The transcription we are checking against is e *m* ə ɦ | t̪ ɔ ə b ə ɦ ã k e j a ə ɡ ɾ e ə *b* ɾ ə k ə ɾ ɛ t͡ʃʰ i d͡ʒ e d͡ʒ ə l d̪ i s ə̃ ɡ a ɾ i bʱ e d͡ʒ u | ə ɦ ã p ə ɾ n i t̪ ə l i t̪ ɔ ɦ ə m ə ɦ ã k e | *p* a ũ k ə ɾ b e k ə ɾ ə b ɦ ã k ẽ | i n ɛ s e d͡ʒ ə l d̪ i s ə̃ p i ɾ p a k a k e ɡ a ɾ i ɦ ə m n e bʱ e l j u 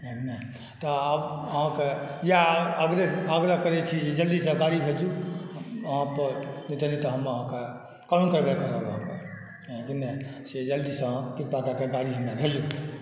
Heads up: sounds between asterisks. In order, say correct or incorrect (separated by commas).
incorrect, incorrect, incorrect